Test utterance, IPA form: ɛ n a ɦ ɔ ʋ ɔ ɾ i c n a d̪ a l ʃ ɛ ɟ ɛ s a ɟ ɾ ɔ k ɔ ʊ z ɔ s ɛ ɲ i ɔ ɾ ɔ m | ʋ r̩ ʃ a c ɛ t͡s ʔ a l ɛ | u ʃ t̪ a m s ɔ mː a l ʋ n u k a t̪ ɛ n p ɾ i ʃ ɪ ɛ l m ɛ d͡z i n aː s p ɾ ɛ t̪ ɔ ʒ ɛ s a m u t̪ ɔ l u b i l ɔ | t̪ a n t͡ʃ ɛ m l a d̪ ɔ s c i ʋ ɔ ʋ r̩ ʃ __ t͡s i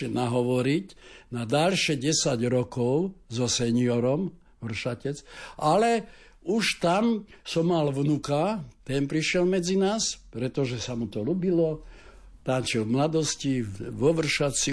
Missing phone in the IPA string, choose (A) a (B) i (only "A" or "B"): A